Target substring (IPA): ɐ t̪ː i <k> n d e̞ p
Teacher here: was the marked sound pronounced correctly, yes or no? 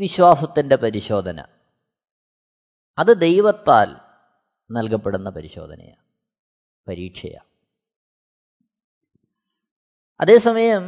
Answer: no